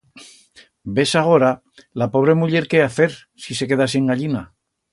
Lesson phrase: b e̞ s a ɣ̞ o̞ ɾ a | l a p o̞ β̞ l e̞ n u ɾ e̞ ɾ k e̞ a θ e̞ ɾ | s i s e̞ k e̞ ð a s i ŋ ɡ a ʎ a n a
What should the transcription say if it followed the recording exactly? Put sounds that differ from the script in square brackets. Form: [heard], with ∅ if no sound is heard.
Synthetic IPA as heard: b e̞ s a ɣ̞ o̞ ɾ a | l a p o̞ β̞ [ɾ] e̞ [m] u [ʎ] e̞ ɾ k e̞ a θ e̞ ɾ | s i s e̞ k e̞ ð a s i ŋ ɡ a ʎ [i] n a